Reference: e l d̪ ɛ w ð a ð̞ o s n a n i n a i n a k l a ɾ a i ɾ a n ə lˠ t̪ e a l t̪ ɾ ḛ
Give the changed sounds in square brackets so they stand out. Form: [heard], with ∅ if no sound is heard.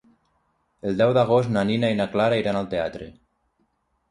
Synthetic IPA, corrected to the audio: e l d̪ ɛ w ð a [ɣ̞] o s n a n i n a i n a k l a ɾ a i ɾ a n [a] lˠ t̪ e a [∅] t̪ ɾ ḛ